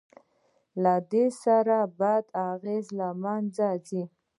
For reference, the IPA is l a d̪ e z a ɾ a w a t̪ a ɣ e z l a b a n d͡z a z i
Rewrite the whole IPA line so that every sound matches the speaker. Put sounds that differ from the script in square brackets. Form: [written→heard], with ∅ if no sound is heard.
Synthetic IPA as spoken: l a d̪ e [z→s] a ɾ a [w→b] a [t̪→d̪] a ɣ e z l a [b→m] a n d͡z a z i